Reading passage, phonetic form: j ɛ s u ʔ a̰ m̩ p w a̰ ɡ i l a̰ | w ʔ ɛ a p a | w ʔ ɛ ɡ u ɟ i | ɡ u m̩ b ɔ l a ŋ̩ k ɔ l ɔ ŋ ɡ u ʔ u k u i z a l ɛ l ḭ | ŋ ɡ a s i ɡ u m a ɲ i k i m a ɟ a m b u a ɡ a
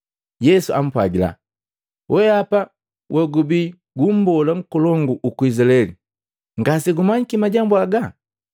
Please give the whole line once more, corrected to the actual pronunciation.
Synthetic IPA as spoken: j ɛ s u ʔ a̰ m̩ p w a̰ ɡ i l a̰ | w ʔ ɛ a p a | w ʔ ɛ ɡ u b i | ɡ u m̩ b ɔ l a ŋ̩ k ɔ l ɔ ŋ ɡ u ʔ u k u i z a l ɛ l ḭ | ŋ ɡ a s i ɡ u m a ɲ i k i m a ɟ a m b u a ɡ a